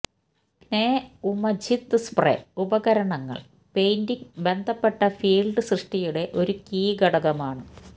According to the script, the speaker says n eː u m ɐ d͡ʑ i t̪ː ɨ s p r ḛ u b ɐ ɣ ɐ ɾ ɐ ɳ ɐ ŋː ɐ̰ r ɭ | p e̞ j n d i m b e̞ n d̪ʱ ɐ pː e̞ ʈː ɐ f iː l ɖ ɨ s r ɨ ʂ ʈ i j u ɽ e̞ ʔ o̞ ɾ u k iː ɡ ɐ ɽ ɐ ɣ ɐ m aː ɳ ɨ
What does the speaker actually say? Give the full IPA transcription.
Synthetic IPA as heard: n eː u m ɐ d͡ʑ i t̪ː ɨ s p r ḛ u b ɐ ɣ ɐ ɾ ɐ ɳ ɐ ŋː ɐ̰ ɭ | p e̞ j n d i ŋ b e̞ n d̪ʱ ɐ pː e̞ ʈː ɐ f iː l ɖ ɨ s r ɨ ʂ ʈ i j u ɽ e̞ ʔ o̞ ɾ u k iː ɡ ɐ ɽ ɐ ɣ ɐ m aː ɳ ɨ